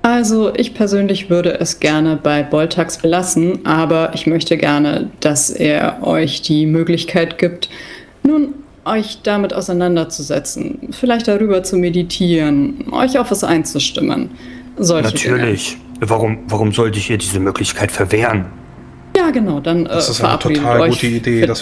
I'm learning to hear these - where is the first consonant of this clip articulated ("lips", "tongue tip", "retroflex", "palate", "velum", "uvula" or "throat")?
throat